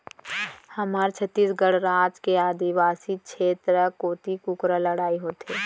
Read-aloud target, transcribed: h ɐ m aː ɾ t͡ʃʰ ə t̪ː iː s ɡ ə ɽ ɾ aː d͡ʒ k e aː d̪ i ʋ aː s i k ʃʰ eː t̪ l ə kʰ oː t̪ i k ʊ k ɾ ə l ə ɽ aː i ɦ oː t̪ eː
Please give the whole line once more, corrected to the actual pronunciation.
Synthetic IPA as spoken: h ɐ m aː ɾ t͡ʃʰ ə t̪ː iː s ɡ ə ɽ ɾ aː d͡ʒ k e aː d̪ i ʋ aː s i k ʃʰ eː t̪ ɾ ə k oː t̪ i k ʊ k ɾ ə l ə ɽ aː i ɦ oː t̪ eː